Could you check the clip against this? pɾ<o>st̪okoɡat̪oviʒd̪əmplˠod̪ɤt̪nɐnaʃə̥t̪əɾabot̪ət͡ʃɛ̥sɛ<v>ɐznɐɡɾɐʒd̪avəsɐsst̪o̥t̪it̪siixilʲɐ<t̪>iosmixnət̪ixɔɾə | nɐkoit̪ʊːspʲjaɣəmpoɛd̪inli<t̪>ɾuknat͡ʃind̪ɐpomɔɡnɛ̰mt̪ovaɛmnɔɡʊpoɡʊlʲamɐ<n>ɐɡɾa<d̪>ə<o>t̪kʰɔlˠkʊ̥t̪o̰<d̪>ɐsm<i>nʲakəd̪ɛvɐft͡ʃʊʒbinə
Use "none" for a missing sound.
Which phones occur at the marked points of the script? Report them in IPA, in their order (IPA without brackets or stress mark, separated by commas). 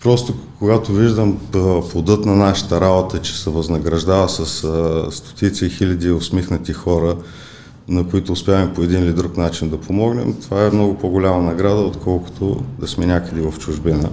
ɔ, v, d̪, d̪, n, d̪, o, d̪, ɛ